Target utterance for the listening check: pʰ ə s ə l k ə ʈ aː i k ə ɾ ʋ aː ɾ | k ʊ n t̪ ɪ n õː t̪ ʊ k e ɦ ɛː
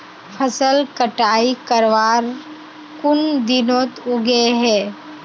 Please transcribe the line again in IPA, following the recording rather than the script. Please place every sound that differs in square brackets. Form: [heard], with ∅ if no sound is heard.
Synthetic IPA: pʰ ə s ə l k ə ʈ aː i k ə ɾ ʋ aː ɾ | k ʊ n [d̪] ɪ n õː t̪ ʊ [ɡ] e ɦ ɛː